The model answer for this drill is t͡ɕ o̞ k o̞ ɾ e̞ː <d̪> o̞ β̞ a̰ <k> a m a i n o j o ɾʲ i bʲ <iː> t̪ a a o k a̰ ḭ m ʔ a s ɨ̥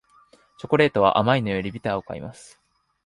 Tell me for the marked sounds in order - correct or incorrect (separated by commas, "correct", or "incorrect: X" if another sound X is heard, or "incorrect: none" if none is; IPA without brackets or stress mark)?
incorrect: t̪, incorrect: ʔ, incorrect: i